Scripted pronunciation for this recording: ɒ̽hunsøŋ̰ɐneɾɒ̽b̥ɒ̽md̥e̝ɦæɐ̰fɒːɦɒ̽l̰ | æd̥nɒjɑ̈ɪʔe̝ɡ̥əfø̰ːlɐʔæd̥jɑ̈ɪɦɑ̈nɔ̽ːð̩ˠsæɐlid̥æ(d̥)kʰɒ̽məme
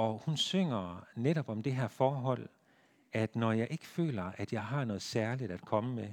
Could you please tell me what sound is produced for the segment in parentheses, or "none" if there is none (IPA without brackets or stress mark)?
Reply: d̥